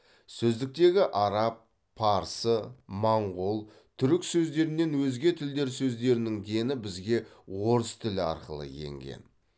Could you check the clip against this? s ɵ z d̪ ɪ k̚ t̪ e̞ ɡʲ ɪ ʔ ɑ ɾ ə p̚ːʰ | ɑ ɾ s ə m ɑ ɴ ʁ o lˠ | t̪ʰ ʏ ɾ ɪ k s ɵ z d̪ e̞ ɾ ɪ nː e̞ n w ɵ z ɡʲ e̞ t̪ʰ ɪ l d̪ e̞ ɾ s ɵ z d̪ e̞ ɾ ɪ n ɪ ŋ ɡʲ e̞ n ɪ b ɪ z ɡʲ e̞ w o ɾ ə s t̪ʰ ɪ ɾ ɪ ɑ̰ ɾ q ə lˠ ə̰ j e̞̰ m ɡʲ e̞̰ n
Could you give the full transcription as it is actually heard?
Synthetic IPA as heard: s ɵ z d̪ ɪ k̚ t̪ e̞ ɡʲ ɪ ʔ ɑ ɾ ɑ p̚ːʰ | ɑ ɾ s ə m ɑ ɴ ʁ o lˠ | t̪ʰ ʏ ɾ ɪ k s ɵ z d̪ e̞ ɾ ɪ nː e̞ n w ɵ z ɡʲ e̞ t̪ʰ ɪ l d̪ e̞ ɾ s ɵ z d̪ e̞ ɾ ɪ n ɪ ŋ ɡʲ e̞ n ɪ b ɪ z ɡʲ e̞ w o ɾ ə s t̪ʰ ɪ l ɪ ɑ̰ ɾ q ə lˠ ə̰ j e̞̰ ŋ ɡʲ e̞̰ n

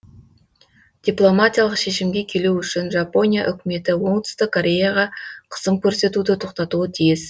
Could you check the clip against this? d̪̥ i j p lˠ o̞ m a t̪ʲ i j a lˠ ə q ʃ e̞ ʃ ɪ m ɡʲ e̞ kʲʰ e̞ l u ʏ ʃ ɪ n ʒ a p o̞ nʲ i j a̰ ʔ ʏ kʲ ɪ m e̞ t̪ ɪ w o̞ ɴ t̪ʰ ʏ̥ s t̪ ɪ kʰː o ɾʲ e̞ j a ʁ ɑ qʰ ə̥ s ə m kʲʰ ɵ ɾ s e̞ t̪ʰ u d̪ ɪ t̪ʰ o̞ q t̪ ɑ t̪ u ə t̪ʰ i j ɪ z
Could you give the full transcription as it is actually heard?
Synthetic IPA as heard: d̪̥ i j p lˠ o̞ m a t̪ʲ i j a lˠ ə q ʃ e̞ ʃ ɪ m ɡʲ e̞ kʲʰ e̞ l u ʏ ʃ ɪ n ʒ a p o̞ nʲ i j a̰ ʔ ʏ kʲ ɪ m e̞ t̪ ɪ w o̞ ɴ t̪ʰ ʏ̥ s t̪ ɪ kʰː o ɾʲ e̞ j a ʁ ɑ qʰ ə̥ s ə m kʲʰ ɵ ɾ s e̞ t̪ u d̪ ɪ t̪ʰ o̞ q t̪ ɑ t̪ u ə t̪ʰ i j ɪ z

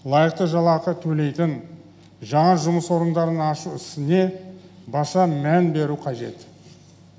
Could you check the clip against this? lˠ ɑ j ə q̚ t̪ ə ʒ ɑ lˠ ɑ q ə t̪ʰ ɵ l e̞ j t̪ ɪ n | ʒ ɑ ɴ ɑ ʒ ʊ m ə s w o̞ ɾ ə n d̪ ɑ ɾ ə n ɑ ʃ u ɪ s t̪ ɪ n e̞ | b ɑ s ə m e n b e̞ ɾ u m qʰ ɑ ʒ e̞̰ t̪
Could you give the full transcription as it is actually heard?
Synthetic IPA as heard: lˠ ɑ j ə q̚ t̪ ə ʒ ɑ lˠ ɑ q ə t̪ʰ ɵ l e̞ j t̪ ɪ n | ʒ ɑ ɴ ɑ ʒ ʊ m ə s w o̞ ɾ ə n d̪ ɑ ɾ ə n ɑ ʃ u ɪ s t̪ ɪ n e̞ | b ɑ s ɑ m æ n b e̞ ɾ u qʰ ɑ ʒ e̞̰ t̪

